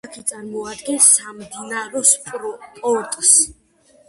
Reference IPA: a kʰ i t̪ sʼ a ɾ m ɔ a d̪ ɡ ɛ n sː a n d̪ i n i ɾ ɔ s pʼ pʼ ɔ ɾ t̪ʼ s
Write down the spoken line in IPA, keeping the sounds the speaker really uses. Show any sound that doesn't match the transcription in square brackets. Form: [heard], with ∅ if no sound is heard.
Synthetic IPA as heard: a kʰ i t̪ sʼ a ɾ m ɔ a d̪ ɡ ɛ n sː a [m] d̪ i n [a] ɾ ɔ s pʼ pʼ ɔ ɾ t̪ʼ s